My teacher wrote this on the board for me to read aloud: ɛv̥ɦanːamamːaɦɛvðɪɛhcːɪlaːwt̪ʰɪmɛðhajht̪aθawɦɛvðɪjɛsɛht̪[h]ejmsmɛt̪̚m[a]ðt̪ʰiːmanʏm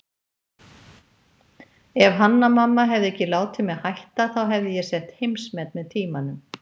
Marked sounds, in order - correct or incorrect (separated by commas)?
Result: correct, incorrect